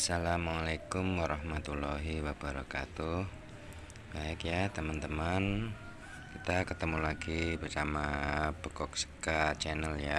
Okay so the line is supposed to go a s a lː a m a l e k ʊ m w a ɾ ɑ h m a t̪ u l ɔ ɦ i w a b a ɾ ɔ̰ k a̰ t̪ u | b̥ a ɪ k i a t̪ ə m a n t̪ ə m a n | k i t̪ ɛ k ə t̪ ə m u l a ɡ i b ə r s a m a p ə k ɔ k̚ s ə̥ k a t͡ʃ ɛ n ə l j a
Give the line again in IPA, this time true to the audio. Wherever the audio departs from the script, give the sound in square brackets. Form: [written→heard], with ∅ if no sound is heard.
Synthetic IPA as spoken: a s a [lː→l] a m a l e k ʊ m w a ɾ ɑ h m a t̪ u l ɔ ɦ i w a b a ɾ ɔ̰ k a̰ t̪ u | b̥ a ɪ k [i→j] a t̪ ə m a n t̪ ə m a n | k i t̪ [ɛ→a] k ə t̪ ə m u l a ɡ i b ə r s a m a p ə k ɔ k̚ s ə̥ k a t͡ʃ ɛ n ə l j a